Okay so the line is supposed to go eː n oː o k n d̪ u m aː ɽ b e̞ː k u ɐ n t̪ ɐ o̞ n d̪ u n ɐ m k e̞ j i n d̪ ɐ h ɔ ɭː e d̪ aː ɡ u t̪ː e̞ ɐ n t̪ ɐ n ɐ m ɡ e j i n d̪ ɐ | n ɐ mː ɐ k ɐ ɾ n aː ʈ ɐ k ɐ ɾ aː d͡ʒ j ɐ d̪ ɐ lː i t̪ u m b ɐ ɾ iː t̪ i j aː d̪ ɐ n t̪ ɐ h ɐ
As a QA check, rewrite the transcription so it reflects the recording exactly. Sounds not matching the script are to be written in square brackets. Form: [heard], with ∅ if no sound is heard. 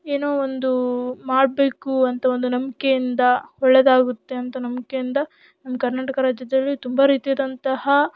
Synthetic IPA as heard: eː n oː o [∅] n d̪ u m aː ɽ b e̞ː k u ɐ n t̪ ɐ o̞ n d̪ u n ɐ m k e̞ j i n d̪ ɐ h ɔ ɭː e d̪ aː ɡ u t̪ː e̞ ɐ n t̪ ɐ n ɐ m [k] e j i n d̪ ɐ | n ɐ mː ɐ k ɐ ɾ n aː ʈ ɐ k ɐ ɾ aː d͡ʒ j ɐ d̪ ɐ lː i t̪ u m b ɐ ɾ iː t̪ i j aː d̪ ɐ n t̪ ɐ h ɐ

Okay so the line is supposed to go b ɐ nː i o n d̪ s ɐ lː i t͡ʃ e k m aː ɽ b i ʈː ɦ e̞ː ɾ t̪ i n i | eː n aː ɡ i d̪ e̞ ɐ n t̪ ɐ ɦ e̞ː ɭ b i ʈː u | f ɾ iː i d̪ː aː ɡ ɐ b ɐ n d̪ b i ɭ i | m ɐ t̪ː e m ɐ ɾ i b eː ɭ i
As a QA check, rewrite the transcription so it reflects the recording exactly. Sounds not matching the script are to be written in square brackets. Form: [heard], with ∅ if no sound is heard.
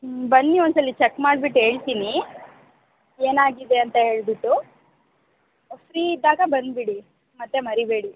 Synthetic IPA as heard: b ɐ nː i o n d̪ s ɐ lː i t͡ʃ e k m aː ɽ b i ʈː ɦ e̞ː [ɭ] t̪ i n i | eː n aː ɡ i d̪ e̞ ɐ n t̪ ɐ ɦ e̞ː ɭ b i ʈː u | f ɾ iː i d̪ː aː ɡ ɐ b ɐ n d̪ b i [ɽ] i | m ɐ t̪ː e m ɐ ɾ i b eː [ɽ] i

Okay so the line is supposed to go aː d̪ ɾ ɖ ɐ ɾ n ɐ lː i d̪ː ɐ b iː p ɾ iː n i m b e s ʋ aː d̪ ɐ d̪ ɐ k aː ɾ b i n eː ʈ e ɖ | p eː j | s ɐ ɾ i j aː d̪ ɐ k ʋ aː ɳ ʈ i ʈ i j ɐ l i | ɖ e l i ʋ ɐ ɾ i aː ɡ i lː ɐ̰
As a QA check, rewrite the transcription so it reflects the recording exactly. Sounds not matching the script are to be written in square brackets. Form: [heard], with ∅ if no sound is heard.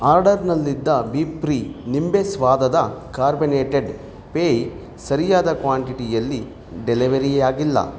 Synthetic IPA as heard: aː [∅] ɾ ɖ ɐ ɾ n ɐ lː i d̪ː ɐ b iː p ɾ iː n i m b e s ʋ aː d̪ ɐ d̪ ɐ k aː ɾ b i n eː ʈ e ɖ | p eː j | s ɐ ɾ i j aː d̪ ɐ k ʋ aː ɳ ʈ i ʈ i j ɐ [lː] i | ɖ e l i ʋ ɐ ɾ i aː ɡ i lː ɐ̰

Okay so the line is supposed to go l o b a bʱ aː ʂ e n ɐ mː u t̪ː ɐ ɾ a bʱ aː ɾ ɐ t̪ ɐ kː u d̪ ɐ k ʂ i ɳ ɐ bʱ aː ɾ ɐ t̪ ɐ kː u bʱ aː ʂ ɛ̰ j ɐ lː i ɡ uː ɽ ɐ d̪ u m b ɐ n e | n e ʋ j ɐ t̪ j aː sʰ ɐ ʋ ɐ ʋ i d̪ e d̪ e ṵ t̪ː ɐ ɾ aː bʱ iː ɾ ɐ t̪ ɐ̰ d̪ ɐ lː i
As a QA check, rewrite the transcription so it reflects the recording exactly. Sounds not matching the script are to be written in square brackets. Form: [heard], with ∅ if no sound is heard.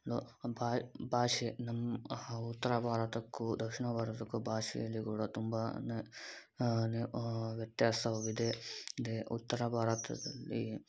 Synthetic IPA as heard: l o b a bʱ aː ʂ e n ɐ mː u t̪ː ɐ ɾ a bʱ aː ɾ ɐ t̪ ɐ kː u d̪ ɐ k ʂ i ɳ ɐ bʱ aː ɾ ɐ t̪ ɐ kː u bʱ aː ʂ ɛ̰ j ɐ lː i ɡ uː ɽ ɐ [t̪] u m b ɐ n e | n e ʋ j ɐ t̪ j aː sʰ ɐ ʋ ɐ ʋ i d̪ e d̪ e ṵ t̪ː ɐ ɾ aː bʱ [aː] ɾ ɐ t̪ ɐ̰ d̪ ɐ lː i

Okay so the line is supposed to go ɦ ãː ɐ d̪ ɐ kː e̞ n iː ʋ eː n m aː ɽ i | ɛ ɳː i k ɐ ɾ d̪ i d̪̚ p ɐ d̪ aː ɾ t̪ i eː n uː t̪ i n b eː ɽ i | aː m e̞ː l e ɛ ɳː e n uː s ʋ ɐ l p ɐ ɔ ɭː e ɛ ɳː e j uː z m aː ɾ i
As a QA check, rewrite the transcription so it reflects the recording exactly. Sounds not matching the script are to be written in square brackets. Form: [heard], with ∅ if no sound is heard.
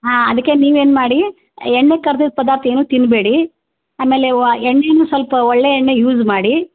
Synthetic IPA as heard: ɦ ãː ɐ d̪ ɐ kː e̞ n iː ʋ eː n m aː ɽ i | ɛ ɳː [e] k ɐ ɾ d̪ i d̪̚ p ɐ d̪ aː ɾ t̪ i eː n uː t̪ i n b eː ɽ i | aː m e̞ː l e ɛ ɳː e n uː s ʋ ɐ l p ɐ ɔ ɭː e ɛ ɳː e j uː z m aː [ɽ] i

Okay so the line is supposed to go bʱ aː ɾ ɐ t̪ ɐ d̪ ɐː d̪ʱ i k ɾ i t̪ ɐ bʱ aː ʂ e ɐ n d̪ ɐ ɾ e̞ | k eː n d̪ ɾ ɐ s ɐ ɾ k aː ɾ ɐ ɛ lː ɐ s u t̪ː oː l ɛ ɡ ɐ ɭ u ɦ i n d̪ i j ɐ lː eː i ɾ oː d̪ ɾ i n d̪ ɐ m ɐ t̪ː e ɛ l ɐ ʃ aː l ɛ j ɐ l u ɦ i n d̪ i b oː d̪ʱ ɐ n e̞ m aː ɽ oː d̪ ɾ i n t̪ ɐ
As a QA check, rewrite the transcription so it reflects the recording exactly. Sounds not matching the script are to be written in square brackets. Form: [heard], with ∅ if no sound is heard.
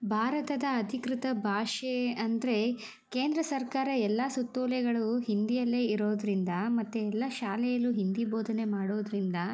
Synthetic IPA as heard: bʱ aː ɾ ɐ t̪ ɐ d̪ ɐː d̪ʱ i k ɾ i t̪ ɐ bʱ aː ʂ e ɐ n d̪ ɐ ɾ e̞ | k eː n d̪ ɾ ɐ s ɐ ɾ k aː ɾ ɐ ɛ lː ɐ s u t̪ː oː l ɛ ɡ ɐ ɭ u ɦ i n d̪ i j ɐ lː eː i ɾ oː d̪ ɾ i n d̪ ɐ m ɐ t̪ː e ɛ [lː] ɐ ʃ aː l ɛ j ɐ l u ɦ i n d̪ i b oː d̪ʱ ɐ n e̞ m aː ɽ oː d̪ ɾ i n [d̪] ɐ

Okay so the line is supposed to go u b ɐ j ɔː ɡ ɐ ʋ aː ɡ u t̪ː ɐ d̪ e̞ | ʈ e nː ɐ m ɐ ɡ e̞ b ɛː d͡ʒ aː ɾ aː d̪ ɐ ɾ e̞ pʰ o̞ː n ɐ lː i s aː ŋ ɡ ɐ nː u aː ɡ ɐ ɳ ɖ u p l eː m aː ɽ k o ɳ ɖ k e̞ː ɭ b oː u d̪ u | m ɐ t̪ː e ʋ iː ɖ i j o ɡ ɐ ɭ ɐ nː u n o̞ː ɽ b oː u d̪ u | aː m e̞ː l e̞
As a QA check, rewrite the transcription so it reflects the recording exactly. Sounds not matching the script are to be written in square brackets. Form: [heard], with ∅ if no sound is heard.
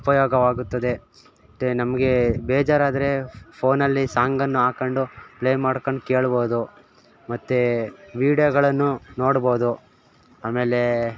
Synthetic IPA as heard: u [p] ɐ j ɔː ɡ ɐ ʋ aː ɡ u t̪ː ɐ d̪ e̞ | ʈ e [n] ɐ m ɐ ɡ e̞ b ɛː d͡ʒ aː ɾ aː d̪ ɐ ɾ e̞ pʰ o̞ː n ɐ lː i s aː ŋ ɡ ɐ nː u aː [k] ɐ ɳ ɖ u p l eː m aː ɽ k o ɳ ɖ k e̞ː ɭ b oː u d̪ u | m ɐ t̪ː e ʋ iː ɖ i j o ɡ ɐ ɭ ɐ nː u n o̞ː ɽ b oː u d̪ u | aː m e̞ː l e̞

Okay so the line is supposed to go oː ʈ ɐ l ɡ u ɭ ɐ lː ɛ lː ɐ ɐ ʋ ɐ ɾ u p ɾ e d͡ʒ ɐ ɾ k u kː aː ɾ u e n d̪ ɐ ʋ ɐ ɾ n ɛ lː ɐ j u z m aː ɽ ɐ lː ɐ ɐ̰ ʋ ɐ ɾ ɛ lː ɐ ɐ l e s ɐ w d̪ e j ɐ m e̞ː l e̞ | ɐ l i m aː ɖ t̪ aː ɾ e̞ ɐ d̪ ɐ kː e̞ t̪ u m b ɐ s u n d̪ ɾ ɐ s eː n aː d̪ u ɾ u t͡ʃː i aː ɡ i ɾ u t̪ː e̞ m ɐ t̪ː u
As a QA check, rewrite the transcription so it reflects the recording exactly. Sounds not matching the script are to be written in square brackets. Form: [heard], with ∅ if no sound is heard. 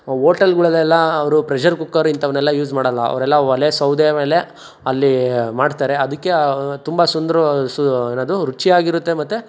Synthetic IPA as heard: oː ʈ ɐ l ɡ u ɭ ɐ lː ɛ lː ɐ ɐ ʋ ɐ ɾ u p ɾ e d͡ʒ ɐ ɾ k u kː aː ɾ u [i] n [t̪] ɐ ʋ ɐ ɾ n ɛ lː ɐ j [uː] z m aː ɽ ɐ lː ɐ ɐ̰ ʋ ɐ ɾ ɛ lː ɐ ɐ l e s ɐ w d̪ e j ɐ m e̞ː l e̞ | ɐ [lː] i m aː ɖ t̪ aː ɾ e̞ ɐ d̪ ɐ kː e̞ t̪ u m b ɐ s u n d̪ ɾ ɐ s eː n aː d̪ u ɾ u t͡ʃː i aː ɡ i ɾ u t̪ː e̞ m ɐ t̪ː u

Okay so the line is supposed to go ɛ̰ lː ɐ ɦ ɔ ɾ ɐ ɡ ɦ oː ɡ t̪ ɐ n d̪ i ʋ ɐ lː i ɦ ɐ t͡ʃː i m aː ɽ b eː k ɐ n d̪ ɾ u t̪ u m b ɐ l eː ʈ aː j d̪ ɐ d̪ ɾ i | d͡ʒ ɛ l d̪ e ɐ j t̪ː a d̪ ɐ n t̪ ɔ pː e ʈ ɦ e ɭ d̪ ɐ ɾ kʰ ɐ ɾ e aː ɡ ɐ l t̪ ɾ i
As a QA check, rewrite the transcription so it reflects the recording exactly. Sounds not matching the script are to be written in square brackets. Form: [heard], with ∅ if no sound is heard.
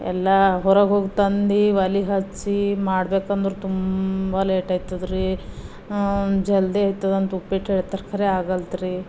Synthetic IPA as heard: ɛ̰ lː ɐ ɦ ɔ ɾ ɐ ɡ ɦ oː ɡ t̪ ɐ n d̪ i ʋ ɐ [l] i ɦ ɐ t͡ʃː i m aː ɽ b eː k ɐ n d̪ ɾ u t̪ u m b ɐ l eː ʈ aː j [t̪] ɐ d̪ ɾ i | d͡ʒ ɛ l d̪ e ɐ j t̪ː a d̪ ɐ n t̪ [u] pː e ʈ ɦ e ɭ [t̪] ɐ ɾ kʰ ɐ ɾ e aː ɡ ɐ l t̪ ɾ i

